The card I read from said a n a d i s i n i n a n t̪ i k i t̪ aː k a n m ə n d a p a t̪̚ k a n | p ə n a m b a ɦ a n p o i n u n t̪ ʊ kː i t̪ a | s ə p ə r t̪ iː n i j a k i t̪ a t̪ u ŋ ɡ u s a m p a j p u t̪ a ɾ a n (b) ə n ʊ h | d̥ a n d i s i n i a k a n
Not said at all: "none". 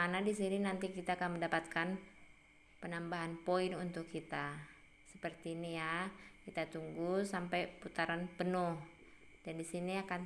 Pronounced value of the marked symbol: p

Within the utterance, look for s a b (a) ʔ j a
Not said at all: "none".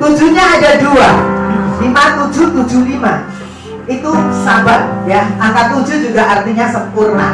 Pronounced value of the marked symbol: a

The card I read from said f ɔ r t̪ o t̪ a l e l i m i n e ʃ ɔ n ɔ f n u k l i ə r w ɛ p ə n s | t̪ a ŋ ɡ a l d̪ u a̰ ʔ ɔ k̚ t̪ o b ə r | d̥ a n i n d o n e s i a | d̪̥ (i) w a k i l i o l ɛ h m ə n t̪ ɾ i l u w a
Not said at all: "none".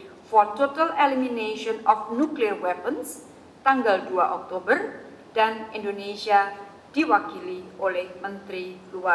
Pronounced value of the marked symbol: i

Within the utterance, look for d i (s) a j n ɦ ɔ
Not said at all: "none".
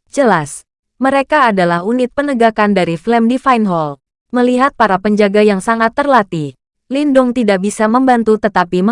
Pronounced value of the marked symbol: f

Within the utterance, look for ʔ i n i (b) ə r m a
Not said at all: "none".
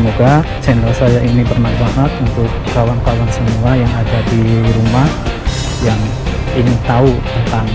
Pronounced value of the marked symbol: b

